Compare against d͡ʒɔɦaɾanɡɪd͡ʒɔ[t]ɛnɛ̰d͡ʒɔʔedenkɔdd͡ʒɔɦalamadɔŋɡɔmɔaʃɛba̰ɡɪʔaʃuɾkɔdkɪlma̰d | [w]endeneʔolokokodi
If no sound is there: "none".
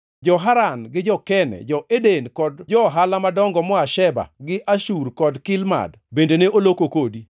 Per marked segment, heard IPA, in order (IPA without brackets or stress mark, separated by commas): k, b